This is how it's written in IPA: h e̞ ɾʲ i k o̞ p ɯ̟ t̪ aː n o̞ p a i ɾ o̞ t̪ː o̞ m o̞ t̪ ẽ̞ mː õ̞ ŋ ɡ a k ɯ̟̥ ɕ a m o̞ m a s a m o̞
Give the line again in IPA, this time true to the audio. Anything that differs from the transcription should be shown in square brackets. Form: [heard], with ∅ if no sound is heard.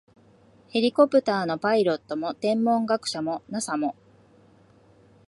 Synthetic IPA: h e̞ ɾʲ i k o̞ p ɯ̟ t̪ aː n o̞ p a i ɾ o̞ t̪ː o̞ m o̞ t̪ ẽ̞ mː õ̞ ŋ ɡ a k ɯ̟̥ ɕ a m o̞ [n] a s a m o̞